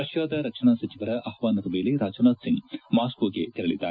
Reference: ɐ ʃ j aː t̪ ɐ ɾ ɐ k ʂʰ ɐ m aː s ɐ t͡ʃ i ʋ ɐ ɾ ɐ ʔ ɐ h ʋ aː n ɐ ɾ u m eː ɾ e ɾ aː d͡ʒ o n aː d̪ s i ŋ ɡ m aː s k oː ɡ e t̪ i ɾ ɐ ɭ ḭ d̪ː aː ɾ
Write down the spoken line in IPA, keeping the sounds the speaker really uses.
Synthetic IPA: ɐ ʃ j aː d̪ ɐ ɾ ɐ k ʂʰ ɐ ɳ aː s ɐ t͡ʃ i ʋ ɐ ɾ ɐ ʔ ɐ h ʋ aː n ɐ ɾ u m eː l e ɾ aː d͡ʒ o n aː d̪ s i ŋ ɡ m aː s k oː ɡ e t̪ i ɾ ɐ ɭ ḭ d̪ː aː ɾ